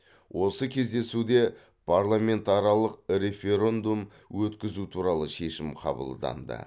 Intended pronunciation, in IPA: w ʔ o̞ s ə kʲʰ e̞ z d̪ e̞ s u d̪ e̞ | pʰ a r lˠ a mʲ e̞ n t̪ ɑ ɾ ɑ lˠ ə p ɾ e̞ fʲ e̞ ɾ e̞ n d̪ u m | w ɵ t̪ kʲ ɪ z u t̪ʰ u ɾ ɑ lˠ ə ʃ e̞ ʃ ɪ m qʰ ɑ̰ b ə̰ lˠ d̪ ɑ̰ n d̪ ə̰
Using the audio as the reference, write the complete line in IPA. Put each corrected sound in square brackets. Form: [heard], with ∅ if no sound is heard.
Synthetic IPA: w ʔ o̞ s ə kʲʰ e̞ z d̪ e̞ s u d̪ e̞ | pʰ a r lˠ a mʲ e̞ n t̪ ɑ ɾ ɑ lˠ ə [q] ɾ e̞ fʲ e̞ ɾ e̞ n d̪ u m | w ɵ t̪ kʲ ɪ z u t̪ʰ u ɾ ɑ lˠ ə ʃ e̞ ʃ ɪ m qʰ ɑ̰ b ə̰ lˠ d̪ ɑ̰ n d̪ ə̰

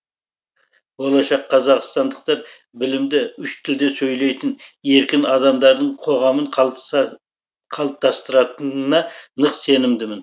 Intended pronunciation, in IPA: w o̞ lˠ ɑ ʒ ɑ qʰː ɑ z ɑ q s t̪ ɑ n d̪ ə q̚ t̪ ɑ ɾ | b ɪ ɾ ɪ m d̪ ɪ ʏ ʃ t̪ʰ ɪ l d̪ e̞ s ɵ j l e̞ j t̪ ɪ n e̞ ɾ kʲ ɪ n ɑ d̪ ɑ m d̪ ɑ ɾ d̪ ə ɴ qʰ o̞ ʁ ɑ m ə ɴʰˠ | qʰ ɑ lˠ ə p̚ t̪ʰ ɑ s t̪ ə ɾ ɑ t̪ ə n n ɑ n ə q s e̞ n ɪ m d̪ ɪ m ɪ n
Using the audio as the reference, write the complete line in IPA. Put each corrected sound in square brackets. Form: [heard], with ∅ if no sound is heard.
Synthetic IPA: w o̞ lˠ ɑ [ʃ] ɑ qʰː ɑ z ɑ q s t̪ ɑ n d̪ ə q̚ t̪ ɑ ɾ | b ɪ [l] ɪ m d̪ ɪ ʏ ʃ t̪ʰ ɪ l d̪ e̞ s ɵ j l e̞ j t̪ ɪ n e̞ ɾ kʲ ɪ n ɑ d̪ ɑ m d̪ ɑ ɾ d̪ ə ɴ qʰ o̞ ʁ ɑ m ə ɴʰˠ | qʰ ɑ lˠ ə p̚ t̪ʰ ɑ s t̪ ə ɾ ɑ t̪ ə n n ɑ n ə q s e̞ n ɪ m d̪ ɪ m ɪ n

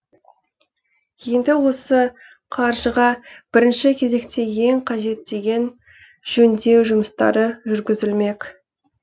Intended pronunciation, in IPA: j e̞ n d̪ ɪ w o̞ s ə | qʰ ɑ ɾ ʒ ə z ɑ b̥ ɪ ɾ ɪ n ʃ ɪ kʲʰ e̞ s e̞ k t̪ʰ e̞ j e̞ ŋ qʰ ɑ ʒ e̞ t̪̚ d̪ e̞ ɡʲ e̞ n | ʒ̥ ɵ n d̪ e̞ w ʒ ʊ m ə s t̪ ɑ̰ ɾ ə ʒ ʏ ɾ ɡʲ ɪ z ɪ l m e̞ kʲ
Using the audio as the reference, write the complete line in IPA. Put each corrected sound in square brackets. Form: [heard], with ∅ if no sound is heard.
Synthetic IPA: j e̞ n d̪ ɪ w o̞ s ə | qʰ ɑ ɾ ʒ ə [ʁ] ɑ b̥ ɪ ɾ ɪ n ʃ ɪ kʲʰ e̞ [z] e̞ k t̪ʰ e̞ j e̞ ŋ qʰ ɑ ʒ e̞ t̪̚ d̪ e̞ ɡʲ e̞ n | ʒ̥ ɵ n d̪ e̞ w ʒ ʊ m ə s t̪ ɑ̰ ɾ ə ʒ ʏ ɾ ɡʲ ɪ z ɪ l m e̞ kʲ

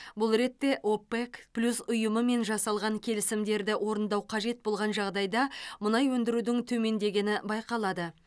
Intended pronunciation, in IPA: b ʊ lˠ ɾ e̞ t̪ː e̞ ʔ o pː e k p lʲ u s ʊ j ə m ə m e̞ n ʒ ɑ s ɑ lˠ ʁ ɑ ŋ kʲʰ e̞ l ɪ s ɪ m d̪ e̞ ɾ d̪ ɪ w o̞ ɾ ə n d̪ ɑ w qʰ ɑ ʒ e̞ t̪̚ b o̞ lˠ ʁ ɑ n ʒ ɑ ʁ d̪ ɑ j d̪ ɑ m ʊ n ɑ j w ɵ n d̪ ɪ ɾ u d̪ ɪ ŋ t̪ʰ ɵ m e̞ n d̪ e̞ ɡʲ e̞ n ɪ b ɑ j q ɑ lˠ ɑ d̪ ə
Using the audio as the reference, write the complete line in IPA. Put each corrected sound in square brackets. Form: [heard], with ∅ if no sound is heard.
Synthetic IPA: b ʊ lˠ ɾ e̞ t̪ː e̞ ʔ o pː e k p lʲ u s ʊ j ə m ə m e̞ n ʒ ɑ s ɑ lˠ ʁ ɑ ŋ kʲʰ e̞ l ɪ s ɪ m d̪ e̞ ɾ d̪ ɪ w o̞ ɾ ə n d̪ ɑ w qʰ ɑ ʒ e̞ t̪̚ b o̞ lˠ ʁ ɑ n ʒ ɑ ʁ d̪ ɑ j d̪ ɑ m ʊ n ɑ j w ɵ n d̪ ɪ ɾ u d̪ ɪ ŋ t̪ʰ ɵ m e̞ n d̪ e̞ ɡʲ e̞ n ɪ b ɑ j q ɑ lˠ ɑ d̪ ə

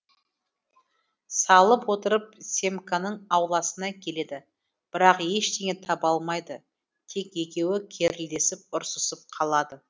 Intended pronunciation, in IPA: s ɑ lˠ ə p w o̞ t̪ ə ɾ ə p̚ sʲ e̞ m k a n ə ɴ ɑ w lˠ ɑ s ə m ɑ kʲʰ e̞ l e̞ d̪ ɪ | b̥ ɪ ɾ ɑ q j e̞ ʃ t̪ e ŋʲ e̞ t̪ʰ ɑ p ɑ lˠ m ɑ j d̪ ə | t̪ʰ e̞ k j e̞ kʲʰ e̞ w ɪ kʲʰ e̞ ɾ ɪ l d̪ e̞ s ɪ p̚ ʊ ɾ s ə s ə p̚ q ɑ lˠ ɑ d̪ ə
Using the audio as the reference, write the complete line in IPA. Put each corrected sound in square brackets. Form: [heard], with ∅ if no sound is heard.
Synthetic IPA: s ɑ lˠ ə p w o̞ t̪ ə ɾ ə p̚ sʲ e̞ m k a n ə ɴ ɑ w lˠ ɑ s ə [n] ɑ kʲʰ e̞ l e̞ d̪ ɪ | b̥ ɪ ɾ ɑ q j e̞ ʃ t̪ e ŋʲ e̞ t̪ʰ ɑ p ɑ lˠ m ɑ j d̪ ə | t̪ʰ e̞ k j e̞ [kʲ] e̞ w ɪ kʲʰ e̞ ɾ ɪ l d̪ e̞ s ɪ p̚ ʊ ɾ s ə s ə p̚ [qʰ] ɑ lˠ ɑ d̪ ə

